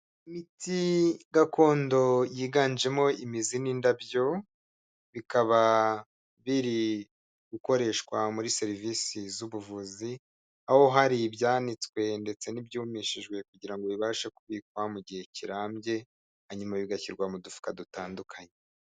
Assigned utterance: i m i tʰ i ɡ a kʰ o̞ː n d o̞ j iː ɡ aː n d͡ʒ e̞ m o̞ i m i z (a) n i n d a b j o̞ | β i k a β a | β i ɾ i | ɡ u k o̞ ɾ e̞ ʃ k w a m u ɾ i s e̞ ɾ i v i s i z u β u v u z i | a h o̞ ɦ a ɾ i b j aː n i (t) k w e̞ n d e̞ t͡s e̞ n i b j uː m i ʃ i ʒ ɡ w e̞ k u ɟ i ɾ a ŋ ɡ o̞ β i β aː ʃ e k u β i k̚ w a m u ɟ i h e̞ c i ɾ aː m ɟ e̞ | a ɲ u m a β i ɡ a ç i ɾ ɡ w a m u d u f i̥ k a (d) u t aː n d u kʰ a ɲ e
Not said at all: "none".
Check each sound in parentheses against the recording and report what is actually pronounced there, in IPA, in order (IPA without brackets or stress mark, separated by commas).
i, t͡s, d